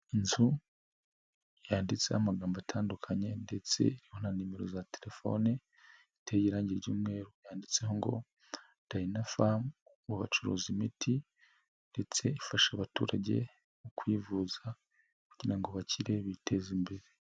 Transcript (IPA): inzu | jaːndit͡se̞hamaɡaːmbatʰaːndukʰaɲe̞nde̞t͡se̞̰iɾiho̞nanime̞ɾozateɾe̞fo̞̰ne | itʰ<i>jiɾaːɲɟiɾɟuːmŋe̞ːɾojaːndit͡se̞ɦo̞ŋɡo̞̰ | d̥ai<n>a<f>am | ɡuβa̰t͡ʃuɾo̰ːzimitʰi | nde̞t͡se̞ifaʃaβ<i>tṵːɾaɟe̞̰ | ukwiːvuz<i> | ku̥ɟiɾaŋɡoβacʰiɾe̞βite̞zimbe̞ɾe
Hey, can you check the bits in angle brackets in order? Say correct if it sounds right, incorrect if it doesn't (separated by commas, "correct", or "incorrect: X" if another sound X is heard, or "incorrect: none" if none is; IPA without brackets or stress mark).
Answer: incorrect: e, correct, correct, incorrect: a, incorrect: a